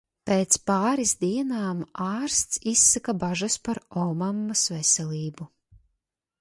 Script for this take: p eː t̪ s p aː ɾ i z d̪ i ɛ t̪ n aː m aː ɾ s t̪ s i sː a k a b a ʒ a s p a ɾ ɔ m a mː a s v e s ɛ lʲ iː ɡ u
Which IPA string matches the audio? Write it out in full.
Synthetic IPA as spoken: p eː t̪ s p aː ɾ i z d̪ i ɛ n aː m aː ɾ s t̪ s i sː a k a b a ʒ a s p a ɾ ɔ m a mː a s v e s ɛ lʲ iː b u

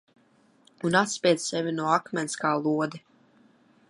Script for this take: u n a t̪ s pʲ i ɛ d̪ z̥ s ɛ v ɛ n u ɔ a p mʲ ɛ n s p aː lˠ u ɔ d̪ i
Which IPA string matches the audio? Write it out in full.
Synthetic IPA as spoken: u n a t̪ s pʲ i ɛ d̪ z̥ s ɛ v i n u ɔ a k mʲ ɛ n s k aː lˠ u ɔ d̪ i

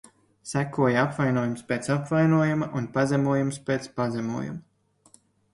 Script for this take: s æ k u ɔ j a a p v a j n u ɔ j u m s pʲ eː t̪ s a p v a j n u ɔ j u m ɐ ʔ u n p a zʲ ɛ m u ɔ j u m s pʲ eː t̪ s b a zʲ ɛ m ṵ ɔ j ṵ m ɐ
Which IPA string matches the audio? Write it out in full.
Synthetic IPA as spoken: s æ k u ɔ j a a p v a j n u ɔ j u m s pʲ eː t̪ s a p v a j n u ɔ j u m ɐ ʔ u n p a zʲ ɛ m u ɔ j u m s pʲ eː t̪ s p a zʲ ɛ m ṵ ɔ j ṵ m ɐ

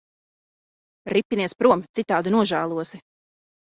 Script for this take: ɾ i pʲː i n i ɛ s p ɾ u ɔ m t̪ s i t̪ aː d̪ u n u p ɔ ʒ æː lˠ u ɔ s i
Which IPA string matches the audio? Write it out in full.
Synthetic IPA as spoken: ɾ i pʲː i n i ɛ s p ɾ u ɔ m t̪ s i t̪ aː d̪ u n u ɔ ʒ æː lˠ u ɔ s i

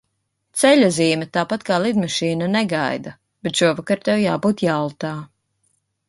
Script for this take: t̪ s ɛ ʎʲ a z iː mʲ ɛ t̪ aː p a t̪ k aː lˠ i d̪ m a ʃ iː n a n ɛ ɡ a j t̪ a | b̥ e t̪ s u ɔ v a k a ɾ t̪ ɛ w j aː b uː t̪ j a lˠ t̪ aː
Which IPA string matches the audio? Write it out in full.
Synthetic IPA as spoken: t̪ s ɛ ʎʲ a z iː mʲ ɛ t̪ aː p a t̪ k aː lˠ i d̪ m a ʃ iː n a n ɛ ɡ a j d̪ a | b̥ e t̪ ʃ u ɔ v a k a ɾ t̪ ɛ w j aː b uː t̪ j a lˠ t̪ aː

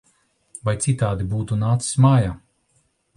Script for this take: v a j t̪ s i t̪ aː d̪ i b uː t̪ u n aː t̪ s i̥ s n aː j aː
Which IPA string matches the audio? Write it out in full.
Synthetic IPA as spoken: v a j t̪ s i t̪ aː d̪ i b uː t̪ u n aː t̪ s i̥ s m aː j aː

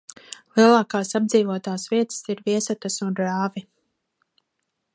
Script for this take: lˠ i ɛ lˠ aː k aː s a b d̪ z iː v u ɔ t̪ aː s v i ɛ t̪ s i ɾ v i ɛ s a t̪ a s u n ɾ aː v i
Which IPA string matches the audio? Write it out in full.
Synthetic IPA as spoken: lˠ i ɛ lˠ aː k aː s a b d̪ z iː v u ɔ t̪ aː s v i ɛ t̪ s i ɾ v i ɛ s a t̪ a s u n ɾ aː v i

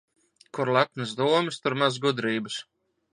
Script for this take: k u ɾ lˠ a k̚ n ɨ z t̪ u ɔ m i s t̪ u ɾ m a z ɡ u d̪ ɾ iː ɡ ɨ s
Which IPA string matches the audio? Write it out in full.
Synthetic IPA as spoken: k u ɾ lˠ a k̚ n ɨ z d̪ u ɔ m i s t̪ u ɾ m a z ɡ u d̪ ɾ iː b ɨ s

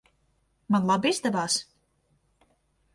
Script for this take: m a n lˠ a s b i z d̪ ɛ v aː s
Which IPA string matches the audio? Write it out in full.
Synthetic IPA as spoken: m a n lˠ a b i z d̪ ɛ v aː s

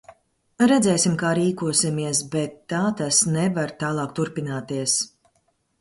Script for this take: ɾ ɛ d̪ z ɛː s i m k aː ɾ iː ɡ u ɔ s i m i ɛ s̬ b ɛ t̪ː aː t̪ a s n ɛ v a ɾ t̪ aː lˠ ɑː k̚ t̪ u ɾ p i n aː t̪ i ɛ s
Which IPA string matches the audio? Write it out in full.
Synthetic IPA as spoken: ɾ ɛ d̪ z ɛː s i m k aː ɾ iː k u ɔ s i m i ɛ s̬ b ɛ t̪ː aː t̪ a s n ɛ v a ɾ t̪ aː lˠ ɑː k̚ t̪ u ɾ p i n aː t̪ i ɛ s

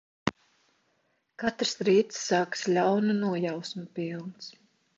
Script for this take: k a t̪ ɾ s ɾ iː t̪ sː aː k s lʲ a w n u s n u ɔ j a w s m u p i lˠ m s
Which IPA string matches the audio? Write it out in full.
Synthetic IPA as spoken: k a t̪ ɾ s ɾ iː t̪ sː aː k s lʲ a w n u n u ɔ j a w s m u p i lˠ n s

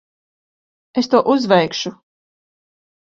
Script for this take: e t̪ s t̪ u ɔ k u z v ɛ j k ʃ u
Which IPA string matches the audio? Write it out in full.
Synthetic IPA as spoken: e s t̪ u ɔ ʔ u z v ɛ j k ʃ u

